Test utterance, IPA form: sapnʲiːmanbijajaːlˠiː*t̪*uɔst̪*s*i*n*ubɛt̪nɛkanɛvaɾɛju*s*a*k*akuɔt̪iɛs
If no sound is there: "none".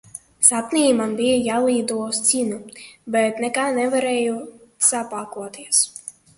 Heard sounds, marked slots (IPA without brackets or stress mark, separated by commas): d̪, s, n, s, p